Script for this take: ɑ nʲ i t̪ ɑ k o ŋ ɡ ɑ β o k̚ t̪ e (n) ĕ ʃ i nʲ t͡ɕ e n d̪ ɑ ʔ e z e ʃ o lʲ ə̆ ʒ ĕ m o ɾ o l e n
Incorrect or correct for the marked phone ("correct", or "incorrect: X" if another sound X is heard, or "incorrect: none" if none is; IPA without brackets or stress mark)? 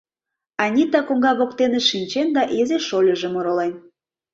correct